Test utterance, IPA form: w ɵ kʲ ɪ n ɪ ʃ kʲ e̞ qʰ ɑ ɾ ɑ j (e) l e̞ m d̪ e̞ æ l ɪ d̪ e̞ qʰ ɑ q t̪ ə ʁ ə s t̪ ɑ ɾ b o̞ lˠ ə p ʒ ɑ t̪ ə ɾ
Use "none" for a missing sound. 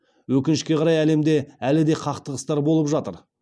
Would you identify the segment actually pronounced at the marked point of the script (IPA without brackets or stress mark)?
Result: æ